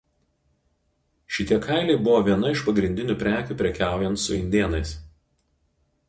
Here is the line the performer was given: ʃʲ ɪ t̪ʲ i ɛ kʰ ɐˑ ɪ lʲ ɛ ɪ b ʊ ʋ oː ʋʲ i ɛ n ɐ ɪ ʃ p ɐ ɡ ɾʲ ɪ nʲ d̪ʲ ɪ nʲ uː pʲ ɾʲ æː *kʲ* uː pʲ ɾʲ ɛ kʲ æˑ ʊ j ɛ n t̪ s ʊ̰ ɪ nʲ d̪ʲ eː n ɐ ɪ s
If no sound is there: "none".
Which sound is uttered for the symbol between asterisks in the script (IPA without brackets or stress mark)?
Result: kʲ